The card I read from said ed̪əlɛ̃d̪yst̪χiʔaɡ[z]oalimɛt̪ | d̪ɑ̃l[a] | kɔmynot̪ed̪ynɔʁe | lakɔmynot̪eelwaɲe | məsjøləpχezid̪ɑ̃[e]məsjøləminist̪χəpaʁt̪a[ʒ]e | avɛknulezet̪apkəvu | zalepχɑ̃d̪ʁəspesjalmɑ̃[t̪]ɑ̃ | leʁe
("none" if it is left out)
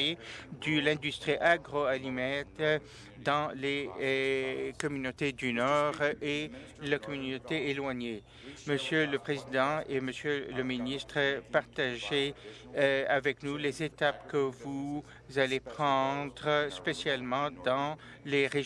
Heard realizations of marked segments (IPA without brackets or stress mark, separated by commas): ʁ, e, e, ʒ, d̪